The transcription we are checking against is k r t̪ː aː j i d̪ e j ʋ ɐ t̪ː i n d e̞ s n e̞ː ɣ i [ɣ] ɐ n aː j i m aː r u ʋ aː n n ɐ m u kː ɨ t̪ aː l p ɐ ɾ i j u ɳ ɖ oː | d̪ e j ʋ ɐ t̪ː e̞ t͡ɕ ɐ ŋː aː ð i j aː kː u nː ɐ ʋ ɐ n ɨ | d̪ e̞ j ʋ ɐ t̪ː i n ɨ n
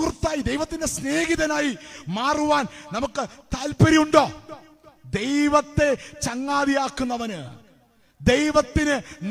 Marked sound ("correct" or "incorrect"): incorrect